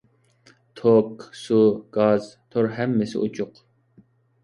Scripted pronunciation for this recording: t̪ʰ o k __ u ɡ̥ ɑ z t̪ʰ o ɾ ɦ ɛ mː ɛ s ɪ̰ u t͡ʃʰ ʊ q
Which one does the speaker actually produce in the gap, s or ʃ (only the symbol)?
s